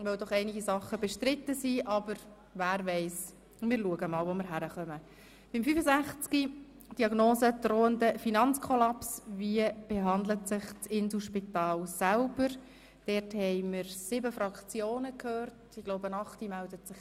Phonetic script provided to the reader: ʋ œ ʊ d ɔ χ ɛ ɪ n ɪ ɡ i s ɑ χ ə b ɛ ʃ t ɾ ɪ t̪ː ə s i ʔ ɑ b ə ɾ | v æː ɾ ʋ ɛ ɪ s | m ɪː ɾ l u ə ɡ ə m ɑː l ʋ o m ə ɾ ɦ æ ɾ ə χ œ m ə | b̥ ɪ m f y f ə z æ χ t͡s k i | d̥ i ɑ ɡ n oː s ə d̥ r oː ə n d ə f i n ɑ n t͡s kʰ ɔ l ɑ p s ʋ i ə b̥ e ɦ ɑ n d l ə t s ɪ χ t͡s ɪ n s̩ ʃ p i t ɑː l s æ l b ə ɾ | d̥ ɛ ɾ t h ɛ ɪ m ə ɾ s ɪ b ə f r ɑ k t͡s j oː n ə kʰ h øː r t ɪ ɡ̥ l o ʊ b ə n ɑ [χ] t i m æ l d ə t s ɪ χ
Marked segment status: correct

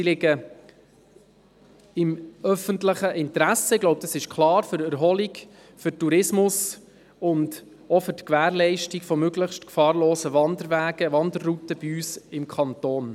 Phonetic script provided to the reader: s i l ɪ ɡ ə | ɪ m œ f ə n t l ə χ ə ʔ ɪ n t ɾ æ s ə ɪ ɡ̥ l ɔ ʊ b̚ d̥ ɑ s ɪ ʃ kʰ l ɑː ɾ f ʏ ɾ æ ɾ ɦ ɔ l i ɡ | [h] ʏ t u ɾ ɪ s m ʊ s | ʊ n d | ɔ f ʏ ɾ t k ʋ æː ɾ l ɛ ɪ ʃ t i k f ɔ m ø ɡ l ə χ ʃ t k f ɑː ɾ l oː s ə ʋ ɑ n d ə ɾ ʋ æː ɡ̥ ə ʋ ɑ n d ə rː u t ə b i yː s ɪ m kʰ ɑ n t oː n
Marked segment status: incorrect: f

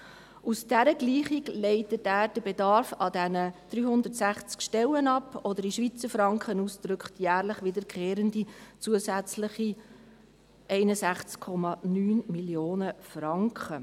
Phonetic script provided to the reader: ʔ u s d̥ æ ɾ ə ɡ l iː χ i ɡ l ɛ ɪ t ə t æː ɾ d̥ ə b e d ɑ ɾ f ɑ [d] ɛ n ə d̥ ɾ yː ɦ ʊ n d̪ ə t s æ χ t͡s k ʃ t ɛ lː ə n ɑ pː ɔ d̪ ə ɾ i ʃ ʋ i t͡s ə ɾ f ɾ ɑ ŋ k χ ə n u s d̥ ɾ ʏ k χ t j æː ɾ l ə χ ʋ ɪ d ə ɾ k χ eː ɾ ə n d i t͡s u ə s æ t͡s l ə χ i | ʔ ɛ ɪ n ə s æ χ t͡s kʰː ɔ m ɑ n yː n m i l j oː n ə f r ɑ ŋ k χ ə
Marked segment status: correct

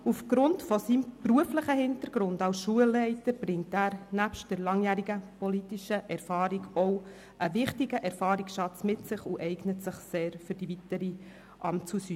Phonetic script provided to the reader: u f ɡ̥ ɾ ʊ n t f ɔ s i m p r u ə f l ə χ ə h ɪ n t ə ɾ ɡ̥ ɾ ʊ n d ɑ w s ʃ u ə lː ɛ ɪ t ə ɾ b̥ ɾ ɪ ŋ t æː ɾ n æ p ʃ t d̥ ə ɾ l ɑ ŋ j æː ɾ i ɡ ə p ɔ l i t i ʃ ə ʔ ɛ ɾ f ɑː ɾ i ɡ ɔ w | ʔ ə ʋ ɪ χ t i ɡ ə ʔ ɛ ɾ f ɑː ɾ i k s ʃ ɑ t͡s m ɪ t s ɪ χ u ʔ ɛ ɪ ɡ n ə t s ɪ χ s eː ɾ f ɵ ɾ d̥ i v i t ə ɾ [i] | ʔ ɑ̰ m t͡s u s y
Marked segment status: correct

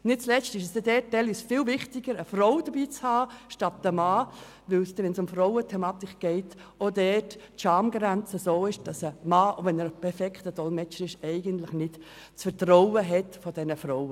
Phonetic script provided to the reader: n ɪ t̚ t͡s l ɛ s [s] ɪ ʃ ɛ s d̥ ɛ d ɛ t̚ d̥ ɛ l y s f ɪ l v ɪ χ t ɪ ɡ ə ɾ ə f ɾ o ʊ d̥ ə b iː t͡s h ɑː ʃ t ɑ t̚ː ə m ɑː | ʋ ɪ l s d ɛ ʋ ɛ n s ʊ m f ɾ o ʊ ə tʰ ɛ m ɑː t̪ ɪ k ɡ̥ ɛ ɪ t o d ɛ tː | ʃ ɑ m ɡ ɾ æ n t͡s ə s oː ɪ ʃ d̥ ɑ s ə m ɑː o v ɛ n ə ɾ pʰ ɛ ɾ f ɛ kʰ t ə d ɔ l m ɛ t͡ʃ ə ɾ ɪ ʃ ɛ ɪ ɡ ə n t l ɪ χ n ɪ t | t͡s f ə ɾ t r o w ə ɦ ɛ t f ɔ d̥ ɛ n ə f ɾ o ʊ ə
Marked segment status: incorrect: t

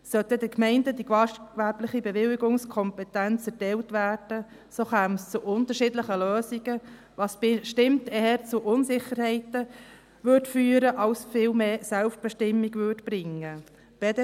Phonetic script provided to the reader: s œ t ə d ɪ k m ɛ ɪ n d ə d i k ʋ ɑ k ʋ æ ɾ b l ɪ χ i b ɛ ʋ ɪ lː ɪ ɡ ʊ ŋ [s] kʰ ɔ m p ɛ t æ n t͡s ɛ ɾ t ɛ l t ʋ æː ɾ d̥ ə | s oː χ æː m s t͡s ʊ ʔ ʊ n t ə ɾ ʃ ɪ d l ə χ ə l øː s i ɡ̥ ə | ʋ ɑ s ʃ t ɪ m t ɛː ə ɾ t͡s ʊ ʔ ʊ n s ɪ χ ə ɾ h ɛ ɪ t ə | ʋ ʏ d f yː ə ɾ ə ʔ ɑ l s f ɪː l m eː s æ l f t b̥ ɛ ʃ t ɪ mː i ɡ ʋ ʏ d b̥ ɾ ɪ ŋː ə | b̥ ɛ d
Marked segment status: correct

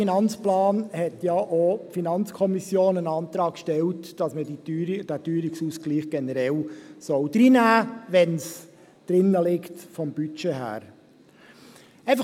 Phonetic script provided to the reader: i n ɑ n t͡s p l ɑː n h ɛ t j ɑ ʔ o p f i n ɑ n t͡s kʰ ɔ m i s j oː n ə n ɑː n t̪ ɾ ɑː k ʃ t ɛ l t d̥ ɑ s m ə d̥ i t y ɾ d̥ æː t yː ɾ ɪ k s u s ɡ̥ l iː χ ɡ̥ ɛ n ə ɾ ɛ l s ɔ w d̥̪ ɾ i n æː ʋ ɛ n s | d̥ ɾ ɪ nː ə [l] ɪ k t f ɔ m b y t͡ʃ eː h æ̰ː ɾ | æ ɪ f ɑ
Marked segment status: correct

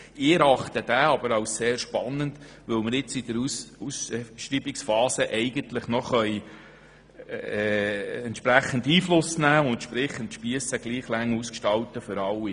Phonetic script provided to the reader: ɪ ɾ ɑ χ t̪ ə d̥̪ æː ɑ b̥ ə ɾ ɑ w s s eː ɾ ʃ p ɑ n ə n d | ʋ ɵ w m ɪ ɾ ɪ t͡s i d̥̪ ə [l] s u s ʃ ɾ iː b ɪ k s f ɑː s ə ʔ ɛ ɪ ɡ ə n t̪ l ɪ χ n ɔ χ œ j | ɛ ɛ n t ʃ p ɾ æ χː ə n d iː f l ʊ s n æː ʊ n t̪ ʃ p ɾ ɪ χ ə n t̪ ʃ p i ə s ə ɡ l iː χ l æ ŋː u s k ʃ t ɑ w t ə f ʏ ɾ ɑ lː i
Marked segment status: incorrect: ɾ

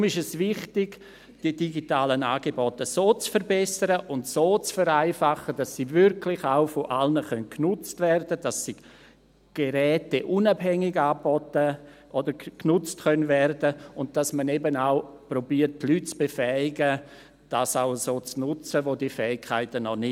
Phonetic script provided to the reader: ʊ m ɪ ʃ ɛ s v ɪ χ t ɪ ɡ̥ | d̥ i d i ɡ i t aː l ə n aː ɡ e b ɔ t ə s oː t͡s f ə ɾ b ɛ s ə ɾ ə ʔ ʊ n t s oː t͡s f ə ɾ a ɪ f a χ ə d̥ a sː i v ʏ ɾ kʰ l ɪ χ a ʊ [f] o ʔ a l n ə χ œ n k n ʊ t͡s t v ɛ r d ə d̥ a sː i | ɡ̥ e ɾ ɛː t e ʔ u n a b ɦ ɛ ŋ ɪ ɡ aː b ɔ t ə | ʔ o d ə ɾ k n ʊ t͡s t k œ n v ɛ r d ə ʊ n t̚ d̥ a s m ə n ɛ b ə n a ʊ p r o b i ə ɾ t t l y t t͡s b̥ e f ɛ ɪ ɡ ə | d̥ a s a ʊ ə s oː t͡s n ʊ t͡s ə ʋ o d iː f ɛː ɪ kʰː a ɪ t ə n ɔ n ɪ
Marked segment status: correct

